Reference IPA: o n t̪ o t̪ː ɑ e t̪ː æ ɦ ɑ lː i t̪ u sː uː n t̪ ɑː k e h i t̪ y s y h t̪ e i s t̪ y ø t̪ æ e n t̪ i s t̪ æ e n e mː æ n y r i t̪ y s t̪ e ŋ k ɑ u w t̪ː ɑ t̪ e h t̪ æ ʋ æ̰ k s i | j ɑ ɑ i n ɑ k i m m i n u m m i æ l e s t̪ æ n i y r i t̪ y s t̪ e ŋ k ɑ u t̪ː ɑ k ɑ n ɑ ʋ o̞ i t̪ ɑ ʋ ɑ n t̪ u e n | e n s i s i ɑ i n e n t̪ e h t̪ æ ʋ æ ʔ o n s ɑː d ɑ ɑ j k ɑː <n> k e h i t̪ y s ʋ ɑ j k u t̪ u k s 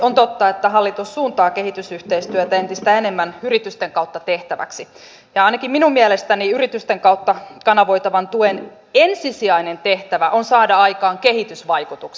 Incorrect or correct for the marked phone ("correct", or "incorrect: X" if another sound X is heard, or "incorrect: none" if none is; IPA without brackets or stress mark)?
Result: incorrect: ŋ